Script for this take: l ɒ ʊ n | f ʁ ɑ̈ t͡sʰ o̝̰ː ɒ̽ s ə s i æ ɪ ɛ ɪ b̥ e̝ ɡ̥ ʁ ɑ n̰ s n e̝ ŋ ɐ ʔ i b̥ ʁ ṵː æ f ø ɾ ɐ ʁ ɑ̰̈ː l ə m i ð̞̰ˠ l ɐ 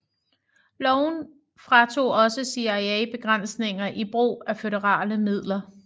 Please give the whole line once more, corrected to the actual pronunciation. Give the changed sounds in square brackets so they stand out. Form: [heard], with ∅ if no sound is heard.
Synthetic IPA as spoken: l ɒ ʊ n | f ʁ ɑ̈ t͡sʰ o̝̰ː ɒ̽ s ə s i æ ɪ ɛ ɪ b̥ e̝ ɡ̥ ʁ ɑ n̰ s n e̝ ŋ ɐ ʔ i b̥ ʁ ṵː æ f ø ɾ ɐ ʁ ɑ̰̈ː l ə m i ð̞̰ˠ l ɐ